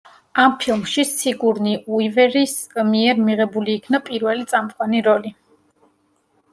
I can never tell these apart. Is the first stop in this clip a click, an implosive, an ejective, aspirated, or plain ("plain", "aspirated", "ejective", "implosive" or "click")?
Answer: aspirated